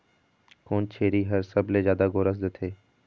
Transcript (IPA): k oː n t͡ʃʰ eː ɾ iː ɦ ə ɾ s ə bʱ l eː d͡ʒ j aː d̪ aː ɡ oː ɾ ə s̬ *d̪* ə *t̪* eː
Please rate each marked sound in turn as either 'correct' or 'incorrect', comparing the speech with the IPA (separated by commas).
correct, incorrect